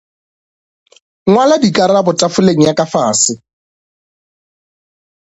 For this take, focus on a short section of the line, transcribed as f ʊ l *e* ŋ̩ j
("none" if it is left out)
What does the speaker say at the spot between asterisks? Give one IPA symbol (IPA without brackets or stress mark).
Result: e